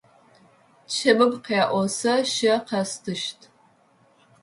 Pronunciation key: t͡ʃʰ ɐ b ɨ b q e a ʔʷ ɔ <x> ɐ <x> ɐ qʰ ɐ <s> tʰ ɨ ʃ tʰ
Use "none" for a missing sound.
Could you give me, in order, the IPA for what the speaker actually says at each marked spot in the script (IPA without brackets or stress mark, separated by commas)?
s, ʃ, s